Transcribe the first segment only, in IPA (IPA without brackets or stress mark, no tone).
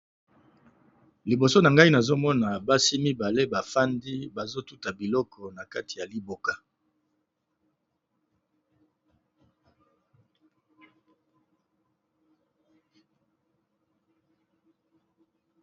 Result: l